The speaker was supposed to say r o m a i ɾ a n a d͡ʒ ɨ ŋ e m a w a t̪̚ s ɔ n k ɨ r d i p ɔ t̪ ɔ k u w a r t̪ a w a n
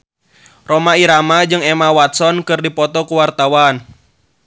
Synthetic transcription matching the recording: r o m a i ɾ a m a d͡ʒ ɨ ŋ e m a w a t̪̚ s ɔ n k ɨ r d i p ɔ t̪ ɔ k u w a r t̪ a w a n